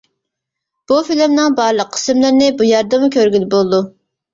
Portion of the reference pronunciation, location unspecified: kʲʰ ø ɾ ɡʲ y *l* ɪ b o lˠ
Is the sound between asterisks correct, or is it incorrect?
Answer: correct